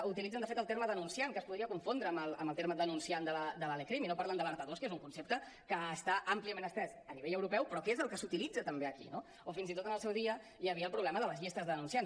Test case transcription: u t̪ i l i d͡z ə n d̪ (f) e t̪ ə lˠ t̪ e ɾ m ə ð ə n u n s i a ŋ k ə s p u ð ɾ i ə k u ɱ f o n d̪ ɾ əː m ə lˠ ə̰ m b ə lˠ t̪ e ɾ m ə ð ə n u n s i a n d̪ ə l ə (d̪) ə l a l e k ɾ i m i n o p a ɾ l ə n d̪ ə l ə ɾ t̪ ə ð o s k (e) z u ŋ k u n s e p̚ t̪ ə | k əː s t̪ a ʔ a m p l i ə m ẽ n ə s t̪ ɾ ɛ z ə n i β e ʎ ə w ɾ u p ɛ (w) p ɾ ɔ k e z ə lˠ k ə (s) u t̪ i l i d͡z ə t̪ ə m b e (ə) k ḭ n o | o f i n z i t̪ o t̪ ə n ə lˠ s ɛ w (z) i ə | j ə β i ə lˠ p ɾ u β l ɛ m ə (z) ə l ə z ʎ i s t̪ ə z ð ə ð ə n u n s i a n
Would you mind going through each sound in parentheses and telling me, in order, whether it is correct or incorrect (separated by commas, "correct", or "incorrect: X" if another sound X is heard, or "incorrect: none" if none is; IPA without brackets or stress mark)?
correct, correct, correct, correct, correct, correct, incorrect: ð, incorrect: ð